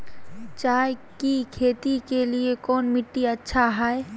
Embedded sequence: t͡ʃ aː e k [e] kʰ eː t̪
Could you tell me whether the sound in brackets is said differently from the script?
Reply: yes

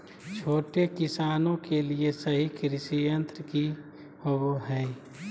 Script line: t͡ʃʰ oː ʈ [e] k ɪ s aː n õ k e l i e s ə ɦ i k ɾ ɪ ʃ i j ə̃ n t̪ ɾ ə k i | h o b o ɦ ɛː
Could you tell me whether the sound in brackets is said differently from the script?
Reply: no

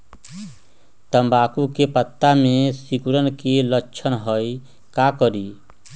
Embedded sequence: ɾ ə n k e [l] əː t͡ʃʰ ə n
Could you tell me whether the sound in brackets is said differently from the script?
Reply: no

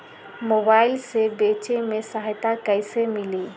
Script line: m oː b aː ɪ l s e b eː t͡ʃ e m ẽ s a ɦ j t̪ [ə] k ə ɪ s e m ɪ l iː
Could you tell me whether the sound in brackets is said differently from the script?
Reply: yes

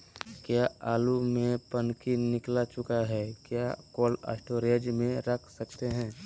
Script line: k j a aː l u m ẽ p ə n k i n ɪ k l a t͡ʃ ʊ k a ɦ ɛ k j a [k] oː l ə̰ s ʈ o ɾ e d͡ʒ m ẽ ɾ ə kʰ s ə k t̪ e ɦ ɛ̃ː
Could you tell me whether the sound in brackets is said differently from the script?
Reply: no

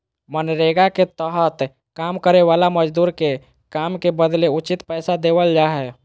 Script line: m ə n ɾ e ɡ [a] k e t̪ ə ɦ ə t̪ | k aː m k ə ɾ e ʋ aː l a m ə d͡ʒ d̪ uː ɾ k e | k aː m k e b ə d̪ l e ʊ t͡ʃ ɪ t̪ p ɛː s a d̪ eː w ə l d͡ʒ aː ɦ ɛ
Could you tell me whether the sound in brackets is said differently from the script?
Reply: no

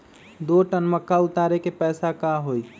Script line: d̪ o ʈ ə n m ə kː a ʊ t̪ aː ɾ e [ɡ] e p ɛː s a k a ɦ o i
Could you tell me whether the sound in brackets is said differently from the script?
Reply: yes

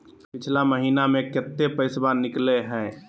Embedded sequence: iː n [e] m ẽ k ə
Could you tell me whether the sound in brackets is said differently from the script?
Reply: yes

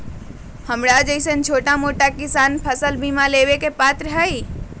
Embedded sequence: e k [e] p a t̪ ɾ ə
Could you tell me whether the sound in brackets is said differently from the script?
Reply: no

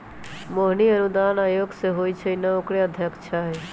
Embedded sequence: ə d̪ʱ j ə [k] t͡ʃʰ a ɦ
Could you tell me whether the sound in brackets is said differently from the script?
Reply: no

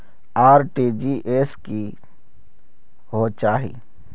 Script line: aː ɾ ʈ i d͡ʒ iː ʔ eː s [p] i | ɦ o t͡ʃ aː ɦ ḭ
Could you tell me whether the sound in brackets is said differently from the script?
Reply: yes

